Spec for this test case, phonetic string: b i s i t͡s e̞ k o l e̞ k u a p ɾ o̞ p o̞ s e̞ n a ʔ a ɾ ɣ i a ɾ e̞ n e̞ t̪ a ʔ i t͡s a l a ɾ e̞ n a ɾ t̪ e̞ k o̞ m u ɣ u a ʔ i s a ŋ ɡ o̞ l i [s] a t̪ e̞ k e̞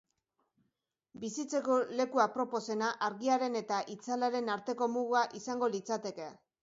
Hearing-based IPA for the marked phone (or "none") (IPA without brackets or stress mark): t͡s